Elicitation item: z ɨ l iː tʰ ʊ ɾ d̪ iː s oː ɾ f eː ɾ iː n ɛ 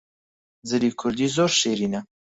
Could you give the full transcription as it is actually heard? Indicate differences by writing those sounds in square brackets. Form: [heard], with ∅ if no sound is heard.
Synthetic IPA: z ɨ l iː [kʰ] ʊ ɾ d̪ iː [z] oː ɾ [ʃ] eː ɾ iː n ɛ